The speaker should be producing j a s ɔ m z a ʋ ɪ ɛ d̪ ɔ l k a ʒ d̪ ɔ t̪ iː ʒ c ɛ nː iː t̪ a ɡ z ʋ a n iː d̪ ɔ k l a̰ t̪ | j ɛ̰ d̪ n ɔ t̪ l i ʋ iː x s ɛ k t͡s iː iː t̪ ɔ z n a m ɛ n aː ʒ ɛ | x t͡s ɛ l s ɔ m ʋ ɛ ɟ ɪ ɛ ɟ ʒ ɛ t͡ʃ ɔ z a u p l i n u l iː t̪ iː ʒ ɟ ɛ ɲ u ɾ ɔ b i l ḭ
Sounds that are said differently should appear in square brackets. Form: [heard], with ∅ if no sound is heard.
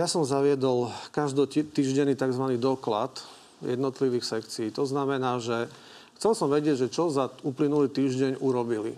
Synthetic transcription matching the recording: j a s ɔ m z a ʋ ɪ ɛ d̪ ɔ l k a ʒ d̪ ɔ t̪ iː ʒ [ɟ] ɛ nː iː t̪ a ɡ z ʋ a n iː d̪ ɔ k l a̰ t̪ | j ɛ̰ d̪ n ɔ t̪ l i ʋ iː x s ɛ k t͡s [i] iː t̪ ɔ z n a m ɛ n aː ʒ ɛ | x t͡s ɛ l s ɔ m ʋ ɛ ɟ ɪ ɛ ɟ ʒ ɛ t͡ʃ ɔ z a u p l i n u l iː t̪ iː ʒ ɟ ɛ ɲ u ɾ ɔ b i l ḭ